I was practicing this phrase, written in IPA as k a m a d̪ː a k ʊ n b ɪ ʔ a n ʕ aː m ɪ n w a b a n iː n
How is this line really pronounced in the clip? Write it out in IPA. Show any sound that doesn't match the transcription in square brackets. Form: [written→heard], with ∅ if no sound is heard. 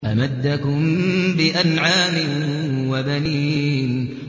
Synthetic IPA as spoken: [k→ʔ] a m a d̪ː a k ʊ [n→m] b ɪ ʔ a n ʕ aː m ɪ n w a b a n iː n